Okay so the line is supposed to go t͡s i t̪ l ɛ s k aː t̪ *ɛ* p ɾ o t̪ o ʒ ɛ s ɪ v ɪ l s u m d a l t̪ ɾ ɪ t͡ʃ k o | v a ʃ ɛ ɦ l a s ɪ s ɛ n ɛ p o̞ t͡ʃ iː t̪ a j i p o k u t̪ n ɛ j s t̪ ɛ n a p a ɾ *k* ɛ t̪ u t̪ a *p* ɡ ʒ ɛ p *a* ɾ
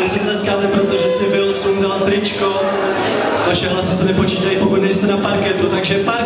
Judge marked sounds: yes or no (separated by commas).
yes, yes, no, yes